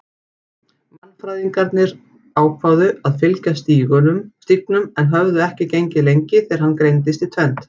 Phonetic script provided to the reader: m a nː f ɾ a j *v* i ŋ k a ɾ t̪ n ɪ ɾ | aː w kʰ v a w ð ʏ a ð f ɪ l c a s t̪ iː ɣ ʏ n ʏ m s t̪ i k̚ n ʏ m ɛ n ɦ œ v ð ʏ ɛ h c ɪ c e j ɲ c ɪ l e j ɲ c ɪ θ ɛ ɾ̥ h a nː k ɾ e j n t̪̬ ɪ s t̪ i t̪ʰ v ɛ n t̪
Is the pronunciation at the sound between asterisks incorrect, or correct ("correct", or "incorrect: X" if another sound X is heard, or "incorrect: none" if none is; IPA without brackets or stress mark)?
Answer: incorrect: ð